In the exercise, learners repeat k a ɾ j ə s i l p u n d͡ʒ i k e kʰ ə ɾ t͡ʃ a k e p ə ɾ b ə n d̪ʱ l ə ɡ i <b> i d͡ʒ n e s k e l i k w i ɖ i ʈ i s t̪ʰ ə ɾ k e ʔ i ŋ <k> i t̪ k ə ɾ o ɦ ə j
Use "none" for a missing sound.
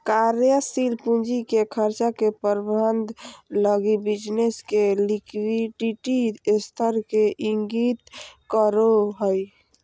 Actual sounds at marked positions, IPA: b, ɡ

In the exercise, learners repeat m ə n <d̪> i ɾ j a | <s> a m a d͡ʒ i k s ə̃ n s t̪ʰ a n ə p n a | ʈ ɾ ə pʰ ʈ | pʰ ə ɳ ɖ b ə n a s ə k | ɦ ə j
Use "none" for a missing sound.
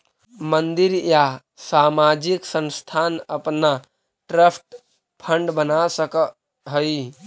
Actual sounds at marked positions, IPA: d̪, s

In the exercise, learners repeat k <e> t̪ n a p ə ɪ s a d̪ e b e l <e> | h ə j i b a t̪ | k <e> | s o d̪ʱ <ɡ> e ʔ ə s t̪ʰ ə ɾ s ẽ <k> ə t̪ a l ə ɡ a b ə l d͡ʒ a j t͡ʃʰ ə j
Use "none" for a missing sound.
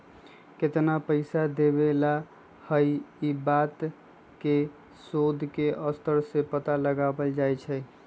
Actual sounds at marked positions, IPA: e, a, e, k, p

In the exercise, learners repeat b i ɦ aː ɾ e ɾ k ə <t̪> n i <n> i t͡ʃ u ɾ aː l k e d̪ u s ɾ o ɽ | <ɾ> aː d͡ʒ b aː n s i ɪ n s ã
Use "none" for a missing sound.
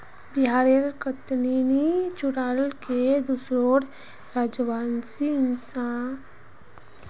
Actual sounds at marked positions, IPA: t̪, n, ɾ

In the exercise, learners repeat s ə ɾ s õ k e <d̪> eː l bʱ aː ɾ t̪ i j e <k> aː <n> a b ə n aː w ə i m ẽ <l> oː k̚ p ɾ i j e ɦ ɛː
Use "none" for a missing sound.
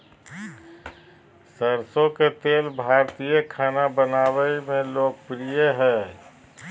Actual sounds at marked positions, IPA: t̪, kʰ, n, l

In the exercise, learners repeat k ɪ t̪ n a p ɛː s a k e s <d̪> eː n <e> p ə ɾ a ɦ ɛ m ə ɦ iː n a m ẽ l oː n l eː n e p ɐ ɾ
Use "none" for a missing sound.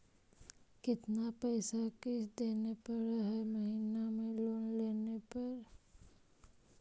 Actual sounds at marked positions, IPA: d̪, e

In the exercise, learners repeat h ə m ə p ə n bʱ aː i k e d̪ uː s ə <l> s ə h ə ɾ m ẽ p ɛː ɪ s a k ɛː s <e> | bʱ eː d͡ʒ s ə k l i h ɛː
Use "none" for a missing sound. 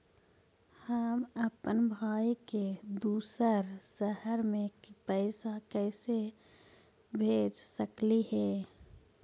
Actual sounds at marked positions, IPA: ɾ, e

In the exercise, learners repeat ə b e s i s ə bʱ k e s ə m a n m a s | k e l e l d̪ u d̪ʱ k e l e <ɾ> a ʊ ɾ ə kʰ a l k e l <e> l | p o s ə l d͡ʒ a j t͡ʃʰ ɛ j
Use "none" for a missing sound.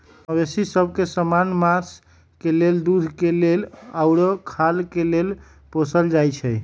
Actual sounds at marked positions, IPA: l, e

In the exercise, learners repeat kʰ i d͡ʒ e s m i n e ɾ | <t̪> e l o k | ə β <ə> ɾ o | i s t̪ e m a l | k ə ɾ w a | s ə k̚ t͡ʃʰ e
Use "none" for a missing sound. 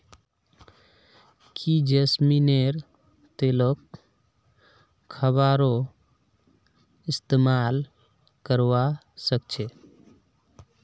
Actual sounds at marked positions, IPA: t̪, a

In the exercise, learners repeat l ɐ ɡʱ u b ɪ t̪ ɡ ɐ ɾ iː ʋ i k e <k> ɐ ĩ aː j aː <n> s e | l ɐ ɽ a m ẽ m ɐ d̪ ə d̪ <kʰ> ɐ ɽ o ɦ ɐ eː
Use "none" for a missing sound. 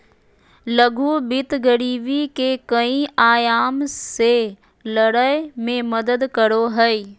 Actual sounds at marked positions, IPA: k, m, k

